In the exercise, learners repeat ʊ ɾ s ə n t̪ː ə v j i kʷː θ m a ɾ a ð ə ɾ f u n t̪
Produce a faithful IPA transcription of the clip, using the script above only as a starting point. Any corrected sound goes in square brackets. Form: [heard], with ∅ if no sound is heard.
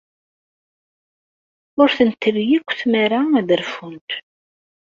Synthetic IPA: ʊ ɾ [θ] ə n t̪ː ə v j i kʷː θ m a ɾ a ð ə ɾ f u n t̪